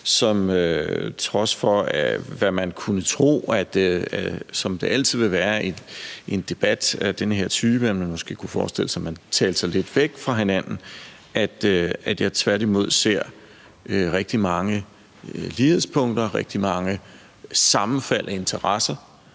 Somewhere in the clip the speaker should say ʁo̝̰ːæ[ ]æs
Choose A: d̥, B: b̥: A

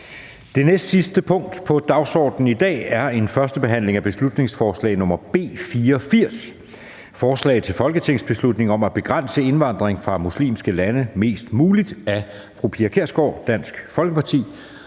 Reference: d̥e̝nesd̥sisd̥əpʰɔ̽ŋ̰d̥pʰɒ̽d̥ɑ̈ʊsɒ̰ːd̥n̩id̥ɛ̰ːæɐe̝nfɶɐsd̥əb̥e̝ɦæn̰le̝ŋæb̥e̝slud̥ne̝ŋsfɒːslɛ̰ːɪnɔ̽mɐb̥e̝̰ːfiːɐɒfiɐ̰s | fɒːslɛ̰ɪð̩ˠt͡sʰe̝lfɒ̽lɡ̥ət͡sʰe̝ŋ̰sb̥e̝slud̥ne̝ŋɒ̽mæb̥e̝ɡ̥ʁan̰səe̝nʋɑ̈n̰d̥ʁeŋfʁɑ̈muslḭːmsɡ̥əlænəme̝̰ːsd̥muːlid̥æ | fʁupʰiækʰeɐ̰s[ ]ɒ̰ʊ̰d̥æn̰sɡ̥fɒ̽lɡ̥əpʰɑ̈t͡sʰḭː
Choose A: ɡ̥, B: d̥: A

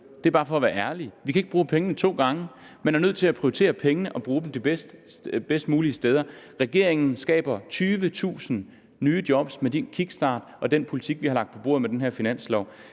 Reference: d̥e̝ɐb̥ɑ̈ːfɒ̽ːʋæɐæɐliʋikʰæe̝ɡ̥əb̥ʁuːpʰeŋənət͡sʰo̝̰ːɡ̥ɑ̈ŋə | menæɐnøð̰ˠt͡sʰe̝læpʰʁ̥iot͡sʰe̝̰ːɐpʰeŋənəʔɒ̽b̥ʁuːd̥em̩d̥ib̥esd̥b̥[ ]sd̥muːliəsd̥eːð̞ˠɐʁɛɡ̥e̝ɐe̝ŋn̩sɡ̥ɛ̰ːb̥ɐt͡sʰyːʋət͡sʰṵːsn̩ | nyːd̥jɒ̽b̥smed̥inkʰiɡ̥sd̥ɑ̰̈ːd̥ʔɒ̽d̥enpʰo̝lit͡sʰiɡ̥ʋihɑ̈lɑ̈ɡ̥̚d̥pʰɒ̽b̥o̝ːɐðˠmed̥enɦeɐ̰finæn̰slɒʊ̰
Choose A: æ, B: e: B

